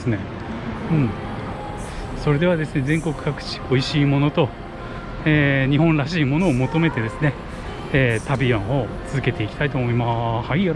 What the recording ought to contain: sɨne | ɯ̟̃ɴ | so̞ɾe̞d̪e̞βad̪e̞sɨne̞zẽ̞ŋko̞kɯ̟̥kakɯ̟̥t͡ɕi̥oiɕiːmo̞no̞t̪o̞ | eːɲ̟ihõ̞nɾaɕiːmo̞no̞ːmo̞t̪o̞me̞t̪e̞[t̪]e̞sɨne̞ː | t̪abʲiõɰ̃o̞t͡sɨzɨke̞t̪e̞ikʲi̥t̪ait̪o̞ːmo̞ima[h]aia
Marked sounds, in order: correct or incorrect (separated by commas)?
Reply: incorrect, correct